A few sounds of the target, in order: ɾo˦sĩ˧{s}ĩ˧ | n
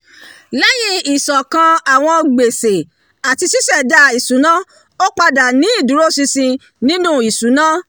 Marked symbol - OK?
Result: yes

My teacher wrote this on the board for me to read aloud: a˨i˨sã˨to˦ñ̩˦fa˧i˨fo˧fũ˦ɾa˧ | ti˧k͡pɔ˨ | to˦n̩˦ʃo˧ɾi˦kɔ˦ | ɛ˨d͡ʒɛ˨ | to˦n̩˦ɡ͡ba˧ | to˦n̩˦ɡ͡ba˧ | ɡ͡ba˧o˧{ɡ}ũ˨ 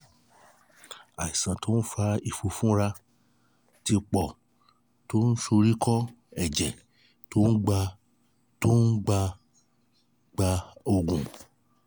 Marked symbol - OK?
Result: yes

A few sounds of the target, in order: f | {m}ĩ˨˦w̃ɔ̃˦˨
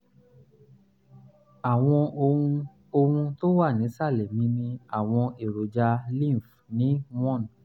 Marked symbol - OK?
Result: no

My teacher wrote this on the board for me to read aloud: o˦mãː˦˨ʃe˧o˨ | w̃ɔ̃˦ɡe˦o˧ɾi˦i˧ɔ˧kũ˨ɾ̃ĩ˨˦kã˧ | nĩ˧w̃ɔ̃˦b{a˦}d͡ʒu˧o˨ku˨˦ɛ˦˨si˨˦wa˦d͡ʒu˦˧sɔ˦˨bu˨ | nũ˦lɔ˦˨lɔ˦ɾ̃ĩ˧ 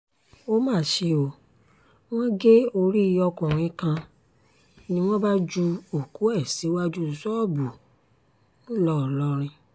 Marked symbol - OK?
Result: yes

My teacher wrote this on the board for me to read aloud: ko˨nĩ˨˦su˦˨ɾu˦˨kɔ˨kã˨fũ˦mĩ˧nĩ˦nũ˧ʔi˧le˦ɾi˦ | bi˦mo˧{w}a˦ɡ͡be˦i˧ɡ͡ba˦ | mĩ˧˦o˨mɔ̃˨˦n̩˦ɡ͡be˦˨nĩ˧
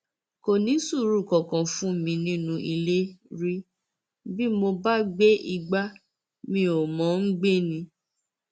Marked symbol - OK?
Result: no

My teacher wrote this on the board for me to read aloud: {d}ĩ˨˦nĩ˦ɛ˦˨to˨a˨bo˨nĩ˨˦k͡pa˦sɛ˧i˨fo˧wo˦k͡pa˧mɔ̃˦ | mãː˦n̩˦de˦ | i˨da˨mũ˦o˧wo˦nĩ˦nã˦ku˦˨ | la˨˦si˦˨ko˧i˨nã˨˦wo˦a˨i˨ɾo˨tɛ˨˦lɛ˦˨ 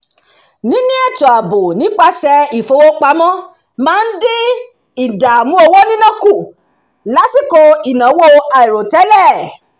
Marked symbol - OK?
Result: no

